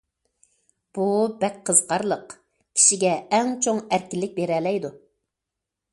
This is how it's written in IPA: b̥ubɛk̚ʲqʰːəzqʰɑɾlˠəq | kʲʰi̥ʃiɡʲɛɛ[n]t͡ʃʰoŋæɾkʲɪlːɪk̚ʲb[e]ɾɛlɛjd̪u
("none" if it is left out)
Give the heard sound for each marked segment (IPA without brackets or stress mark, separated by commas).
ŋ, e